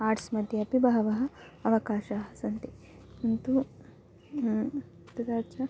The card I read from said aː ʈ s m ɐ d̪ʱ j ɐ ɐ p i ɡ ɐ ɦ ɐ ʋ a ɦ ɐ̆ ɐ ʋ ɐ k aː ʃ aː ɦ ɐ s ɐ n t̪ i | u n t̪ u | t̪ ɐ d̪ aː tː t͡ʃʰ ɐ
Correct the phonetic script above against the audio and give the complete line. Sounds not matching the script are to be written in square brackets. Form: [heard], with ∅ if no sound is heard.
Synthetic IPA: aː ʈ s m ɐ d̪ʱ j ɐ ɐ p i [b] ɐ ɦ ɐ ʋ [ɐ] ɦ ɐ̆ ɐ ʋ ɐ k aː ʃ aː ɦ ɐ s ɐ n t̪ i | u n t̪ u | t̪ ɐ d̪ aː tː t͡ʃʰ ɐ